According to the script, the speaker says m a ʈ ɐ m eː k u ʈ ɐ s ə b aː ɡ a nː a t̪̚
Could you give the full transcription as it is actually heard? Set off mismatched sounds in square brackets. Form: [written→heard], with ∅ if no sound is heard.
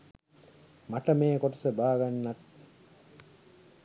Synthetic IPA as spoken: m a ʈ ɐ m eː k [u→o] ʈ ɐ s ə b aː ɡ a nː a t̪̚